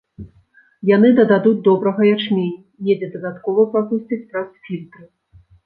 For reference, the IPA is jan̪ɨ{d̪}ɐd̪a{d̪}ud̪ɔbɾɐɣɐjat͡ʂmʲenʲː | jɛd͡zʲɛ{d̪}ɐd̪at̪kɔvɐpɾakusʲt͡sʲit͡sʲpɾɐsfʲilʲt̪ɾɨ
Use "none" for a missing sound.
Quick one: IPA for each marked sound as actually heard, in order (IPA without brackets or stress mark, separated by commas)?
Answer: d̪, d̪, d̪